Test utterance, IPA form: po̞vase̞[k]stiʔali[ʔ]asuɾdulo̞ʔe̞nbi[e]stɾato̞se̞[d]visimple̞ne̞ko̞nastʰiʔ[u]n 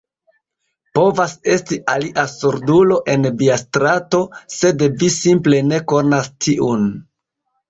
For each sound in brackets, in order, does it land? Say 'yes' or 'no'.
no, yes, no, yes, yes

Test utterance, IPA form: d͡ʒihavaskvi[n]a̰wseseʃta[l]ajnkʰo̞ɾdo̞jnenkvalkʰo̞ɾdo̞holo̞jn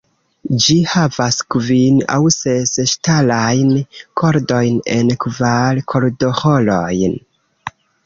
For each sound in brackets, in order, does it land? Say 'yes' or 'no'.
yes, yes

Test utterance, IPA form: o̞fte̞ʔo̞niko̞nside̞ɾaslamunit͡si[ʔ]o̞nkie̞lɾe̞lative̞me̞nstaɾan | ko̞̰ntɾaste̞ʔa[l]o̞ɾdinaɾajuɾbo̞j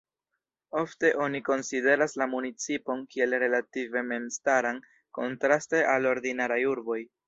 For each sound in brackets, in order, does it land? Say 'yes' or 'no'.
no, yes

